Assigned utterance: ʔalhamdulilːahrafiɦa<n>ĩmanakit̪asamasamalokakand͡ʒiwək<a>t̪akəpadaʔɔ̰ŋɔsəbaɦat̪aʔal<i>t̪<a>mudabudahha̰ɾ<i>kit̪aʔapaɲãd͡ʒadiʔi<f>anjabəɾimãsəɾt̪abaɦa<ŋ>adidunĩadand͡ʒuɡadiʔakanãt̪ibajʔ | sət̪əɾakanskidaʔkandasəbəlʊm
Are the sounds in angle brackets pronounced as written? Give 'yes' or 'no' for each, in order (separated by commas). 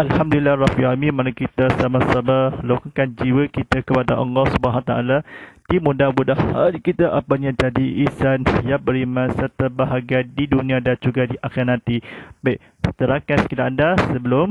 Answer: no, no, no, no, yes, no, no